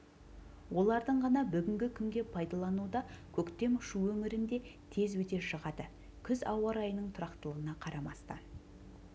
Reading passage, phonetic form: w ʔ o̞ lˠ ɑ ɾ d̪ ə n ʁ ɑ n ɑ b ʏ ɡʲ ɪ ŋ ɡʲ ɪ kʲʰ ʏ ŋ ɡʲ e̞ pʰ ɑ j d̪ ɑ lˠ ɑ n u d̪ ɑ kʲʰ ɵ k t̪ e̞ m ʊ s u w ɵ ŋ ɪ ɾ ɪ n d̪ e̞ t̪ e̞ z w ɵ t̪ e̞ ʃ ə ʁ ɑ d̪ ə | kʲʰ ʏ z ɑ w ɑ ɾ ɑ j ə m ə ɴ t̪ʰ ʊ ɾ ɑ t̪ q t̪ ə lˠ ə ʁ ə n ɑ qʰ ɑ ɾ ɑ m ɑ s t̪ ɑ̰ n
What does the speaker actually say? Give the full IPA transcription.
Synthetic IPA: w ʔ o̞ lˠ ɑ ɾ d̪ ə ɴ ʁ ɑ n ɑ b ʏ ɡʲ ɪ ŋ ɡʲ ɪ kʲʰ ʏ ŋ ɡʲ e̞ pʰ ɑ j d̪ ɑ lˠ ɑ n u d̪ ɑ kʲʰ ɵ k t̪ e̞ m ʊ ʃ u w ɵ ŋ ɪ ɾ ɪ n d̪ e̞ t̪ʰ e̞ z w ɵ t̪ e̞ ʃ ə ʁ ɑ d̪ ə | kʲʰ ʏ z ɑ w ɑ ɾ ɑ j ə n ə ɴ t̪ʰ ʊ ɾ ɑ q t̪ ə lˠ ə ʁ ə n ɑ qʰ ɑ ɾ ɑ m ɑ s t̪ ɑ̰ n